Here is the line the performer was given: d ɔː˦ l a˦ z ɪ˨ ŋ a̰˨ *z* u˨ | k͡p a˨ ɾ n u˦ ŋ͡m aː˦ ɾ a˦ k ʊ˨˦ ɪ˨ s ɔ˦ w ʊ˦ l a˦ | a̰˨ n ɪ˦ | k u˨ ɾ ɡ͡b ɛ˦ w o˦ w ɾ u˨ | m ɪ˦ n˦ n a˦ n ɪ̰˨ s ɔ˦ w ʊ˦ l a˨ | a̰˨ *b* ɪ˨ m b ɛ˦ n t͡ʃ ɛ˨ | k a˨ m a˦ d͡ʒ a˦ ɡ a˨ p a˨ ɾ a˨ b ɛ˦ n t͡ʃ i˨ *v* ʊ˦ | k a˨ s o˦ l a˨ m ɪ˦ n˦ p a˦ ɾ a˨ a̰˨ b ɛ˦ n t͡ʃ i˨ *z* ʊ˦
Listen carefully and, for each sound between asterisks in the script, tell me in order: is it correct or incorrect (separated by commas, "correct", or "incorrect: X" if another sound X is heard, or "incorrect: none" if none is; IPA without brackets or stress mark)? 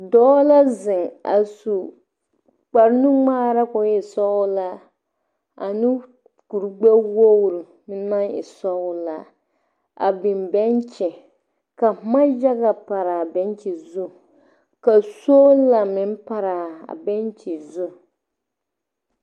incorrect: s, correct, incorrect: z, correct